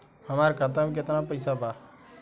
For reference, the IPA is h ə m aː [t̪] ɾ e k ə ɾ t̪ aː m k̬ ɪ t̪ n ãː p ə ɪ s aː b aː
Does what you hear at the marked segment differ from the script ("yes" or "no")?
yes